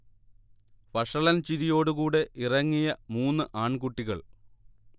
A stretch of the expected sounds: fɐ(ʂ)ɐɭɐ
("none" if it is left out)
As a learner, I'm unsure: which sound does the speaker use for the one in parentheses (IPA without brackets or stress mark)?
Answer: ʂ